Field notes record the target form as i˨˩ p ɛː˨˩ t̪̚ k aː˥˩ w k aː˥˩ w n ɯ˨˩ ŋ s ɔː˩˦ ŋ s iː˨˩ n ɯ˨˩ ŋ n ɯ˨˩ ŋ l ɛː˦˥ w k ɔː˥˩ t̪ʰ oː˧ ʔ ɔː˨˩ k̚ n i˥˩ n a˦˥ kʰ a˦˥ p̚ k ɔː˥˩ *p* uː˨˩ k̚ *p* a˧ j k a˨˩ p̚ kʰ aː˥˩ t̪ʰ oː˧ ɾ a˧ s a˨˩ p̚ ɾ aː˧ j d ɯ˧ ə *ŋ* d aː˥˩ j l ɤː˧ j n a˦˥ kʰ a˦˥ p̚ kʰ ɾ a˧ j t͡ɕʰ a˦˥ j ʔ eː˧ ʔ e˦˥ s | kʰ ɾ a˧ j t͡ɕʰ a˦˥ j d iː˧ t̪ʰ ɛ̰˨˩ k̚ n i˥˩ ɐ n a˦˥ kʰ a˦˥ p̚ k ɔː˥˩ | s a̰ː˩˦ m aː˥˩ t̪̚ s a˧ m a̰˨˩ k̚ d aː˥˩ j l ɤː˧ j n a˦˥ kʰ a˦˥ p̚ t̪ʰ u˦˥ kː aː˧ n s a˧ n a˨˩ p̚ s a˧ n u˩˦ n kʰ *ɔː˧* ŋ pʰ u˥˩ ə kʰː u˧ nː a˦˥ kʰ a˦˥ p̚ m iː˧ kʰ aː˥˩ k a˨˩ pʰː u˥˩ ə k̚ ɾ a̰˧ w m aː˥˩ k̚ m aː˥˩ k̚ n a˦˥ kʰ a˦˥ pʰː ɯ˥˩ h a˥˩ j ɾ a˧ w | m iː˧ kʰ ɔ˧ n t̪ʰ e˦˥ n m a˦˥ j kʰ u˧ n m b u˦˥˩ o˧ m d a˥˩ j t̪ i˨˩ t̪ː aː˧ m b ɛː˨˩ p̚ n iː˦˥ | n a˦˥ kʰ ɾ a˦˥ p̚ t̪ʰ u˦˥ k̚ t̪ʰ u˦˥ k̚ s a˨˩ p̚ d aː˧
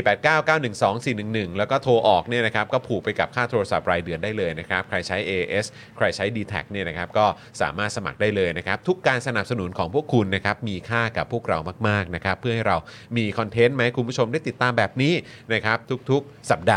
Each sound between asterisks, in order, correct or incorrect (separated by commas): incorrect, correct, incorrect, incorrect